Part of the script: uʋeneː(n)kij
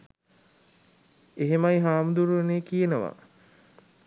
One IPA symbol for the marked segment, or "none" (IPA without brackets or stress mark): none